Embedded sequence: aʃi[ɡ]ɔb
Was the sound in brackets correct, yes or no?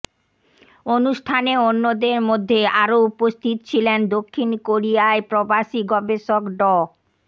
yes